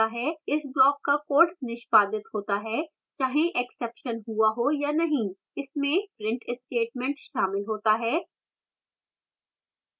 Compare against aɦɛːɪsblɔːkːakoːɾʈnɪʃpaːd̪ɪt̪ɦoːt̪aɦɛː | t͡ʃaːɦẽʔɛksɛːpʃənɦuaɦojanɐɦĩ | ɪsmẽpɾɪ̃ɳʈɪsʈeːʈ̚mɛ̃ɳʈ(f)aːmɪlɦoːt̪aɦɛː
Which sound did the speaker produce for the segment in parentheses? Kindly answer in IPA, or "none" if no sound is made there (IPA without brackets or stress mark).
ʃ